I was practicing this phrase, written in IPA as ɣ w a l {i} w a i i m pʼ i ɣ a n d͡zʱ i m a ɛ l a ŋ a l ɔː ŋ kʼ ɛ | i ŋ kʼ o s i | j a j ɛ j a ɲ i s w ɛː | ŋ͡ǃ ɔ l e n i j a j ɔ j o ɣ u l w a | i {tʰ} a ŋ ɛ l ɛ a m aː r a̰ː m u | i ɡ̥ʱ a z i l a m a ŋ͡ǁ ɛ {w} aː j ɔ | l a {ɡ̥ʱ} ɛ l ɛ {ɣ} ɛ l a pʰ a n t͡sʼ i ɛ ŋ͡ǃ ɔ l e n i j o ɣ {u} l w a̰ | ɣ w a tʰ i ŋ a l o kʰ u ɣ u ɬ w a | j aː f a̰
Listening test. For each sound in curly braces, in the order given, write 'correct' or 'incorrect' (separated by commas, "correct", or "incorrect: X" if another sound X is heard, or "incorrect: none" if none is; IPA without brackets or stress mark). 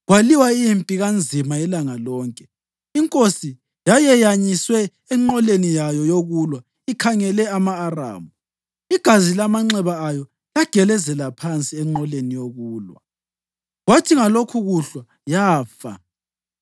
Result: correct, incorrect: kʰ, incorrect: β, correct, incorrect: z, incorrect: uː